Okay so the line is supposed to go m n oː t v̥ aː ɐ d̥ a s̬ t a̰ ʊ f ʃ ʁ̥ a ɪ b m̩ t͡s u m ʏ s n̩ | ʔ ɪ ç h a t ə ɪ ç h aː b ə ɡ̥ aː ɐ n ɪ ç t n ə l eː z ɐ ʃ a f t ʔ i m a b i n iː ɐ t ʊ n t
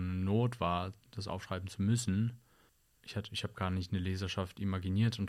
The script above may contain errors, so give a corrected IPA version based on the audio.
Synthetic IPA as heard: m n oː t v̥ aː ɐ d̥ a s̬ ʔ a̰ ʊ f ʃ ʁ̥ a ɪ b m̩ t͡s u m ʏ s n̩ | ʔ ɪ ç h a t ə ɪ ç h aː b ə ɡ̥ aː ɐ n ɪ ç t n ə l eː z ɐ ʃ a f t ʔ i m a ɡ i n iː ɐ t ʊ n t